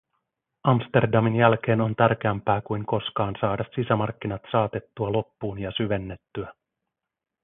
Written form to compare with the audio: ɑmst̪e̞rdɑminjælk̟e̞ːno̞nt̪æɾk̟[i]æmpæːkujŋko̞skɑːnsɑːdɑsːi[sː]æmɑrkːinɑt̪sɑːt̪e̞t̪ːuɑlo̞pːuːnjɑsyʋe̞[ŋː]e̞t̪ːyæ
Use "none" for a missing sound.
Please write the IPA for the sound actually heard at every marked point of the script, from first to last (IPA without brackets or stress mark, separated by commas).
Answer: e, s, nː